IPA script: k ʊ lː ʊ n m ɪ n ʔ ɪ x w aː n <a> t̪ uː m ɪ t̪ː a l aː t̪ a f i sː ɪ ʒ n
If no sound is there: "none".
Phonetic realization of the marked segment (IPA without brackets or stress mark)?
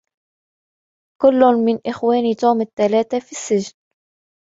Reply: i